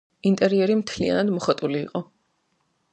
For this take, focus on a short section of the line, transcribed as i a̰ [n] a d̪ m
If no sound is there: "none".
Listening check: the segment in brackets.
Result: n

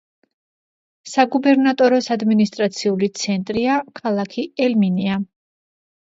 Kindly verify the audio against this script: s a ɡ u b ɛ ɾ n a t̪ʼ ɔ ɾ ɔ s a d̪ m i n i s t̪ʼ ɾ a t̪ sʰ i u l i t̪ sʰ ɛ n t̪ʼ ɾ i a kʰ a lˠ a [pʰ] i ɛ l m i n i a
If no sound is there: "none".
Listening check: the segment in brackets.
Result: kʰ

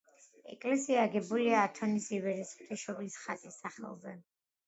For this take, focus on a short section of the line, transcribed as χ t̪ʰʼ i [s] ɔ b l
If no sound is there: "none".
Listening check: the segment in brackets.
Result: ʃ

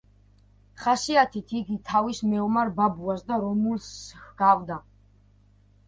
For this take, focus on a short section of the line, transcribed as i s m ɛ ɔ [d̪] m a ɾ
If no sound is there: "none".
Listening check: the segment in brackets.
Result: none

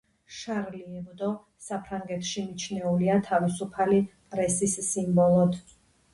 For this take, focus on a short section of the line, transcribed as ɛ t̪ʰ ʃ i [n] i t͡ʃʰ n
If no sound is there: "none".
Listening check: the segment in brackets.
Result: m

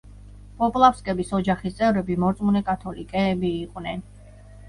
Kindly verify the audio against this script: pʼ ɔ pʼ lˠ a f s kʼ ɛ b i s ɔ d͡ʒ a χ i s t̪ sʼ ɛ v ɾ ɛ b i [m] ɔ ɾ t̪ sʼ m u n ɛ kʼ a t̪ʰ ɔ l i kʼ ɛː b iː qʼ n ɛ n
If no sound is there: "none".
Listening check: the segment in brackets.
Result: m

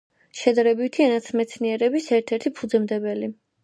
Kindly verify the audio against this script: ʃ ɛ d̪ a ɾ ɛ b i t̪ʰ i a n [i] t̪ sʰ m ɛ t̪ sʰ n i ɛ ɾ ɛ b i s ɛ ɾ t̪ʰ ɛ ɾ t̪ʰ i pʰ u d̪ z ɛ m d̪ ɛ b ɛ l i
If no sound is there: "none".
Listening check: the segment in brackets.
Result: a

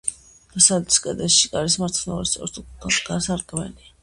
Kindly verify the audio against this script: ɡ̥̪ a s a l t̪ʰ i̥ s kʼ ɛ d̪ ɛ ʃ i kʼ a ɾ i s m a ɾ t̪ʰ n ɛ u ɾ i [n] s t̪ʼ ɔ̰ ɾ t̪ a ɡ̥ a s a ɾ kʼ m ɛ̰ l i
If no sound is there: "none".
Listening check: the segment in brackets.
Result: none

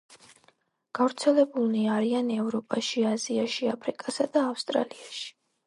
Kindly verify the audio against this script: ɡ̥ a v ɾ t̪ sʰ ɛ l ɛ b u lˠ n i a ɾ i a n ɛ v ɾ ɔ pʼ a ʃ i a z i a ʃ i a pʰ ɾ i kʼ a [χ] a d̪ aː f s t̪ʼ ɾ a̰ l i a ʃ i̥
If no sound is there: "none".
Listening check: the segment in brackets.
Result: s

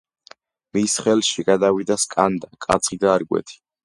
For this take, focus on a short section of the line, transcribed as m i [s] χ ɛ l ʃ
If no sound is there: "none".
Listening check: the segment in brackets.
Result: s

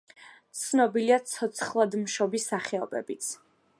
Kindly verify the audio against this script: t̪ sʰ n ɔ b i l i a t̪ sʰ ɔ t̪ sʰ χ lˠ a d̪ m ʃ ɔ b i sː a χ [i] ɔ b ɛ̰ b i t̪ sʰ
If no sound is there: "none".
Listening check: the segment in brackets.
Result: ɛ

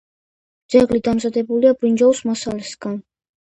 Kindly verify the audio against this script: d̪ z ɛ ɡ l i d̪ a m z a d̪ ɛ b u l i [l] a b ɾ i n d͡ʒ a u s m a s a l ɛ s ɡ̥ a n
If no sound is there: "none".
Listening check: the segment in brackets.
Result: none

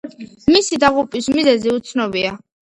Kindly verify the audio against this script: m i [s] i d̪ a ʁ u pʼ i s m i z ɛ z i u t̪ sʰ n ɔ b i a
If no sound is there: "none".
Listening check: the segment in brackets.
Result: s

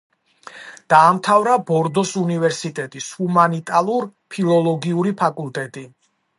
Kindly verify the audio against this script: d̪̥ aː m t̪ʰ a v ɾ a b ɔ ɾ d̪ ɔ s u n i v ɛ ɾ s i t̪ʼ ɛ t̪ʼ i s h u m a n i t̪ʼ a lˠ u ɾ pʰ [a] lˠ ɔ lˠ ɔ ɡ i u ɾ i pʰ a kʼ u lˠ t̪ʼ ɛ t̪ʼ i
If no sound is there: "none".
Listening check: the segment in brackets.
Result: i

